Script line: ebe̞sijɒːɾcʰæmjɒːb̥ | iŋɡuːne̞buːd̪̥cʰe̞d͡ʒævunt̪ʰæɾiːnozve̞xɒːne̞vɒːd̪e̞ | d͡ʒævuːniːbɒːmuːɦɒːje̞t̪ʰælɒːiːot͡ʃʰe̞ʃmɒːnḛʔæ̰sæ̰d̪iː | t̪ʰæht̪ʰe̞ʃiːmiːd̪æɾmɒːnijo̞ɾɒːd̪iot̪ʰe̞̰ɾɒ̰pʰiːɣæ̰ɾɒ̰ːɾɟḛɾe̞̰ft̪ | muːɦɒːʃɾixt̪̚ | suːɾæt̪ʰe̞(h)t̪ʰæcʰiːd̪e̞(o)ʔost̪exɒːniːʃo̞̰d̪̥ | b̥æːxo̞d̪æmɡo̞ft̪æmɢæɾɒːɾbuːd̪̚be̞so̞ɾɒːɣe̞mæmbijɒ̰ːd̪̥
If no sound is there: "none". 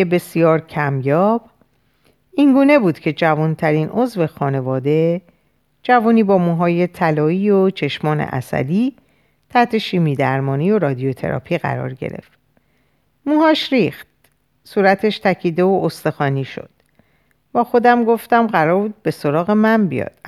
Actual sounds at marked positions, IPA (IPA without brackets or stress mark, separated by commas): ʃ, o